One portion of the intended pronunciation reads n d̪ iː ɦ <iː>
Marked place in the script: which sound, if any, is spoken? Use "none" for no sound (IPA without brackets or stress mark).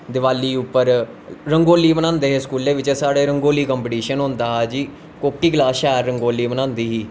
iː